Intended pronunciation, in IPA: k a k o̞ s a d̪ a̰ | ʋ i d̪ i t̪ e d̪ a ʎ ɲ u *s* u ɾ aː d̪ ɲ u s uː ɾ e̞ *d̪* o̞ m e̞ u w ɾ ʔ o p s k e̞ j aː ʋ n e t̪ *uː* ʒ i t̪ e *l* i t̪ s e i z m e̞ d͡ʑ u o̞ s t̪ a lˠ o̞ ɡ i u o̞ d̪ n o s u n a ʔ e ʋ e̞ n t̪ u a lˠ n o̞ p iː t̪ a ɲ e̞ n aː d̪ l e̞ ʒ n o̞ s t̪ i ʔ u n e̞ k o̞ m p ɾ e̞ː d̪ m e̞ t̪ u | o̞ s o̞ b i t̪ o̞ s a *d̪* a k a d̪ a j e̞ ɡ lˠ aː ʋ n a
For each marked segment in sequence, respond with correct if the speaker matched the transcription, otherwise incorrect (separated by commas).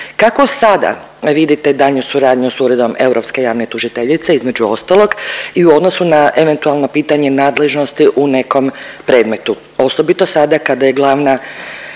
correct, correct, incorrect, incorrect, correct